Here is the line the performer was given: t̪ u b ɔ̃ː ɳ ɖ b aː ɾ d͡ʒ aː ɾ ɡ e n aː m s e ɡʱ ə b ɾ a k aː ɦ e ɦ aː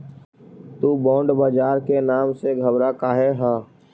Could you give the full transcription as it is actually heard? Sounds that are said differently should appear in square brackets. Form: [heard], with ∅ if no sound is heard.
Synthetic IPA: t̪ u b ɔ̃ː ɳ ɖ b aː [∅] d͡ʒ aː ɾ [k] e n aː m s e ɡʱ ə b ɾ a k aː ɦ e ɦ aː